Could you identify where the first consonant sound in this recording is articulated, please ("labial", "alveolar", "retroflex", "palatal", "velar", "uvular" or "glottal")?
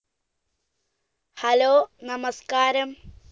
glottal